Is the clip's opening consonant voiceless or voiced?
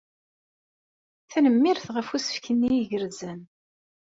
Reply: voiceless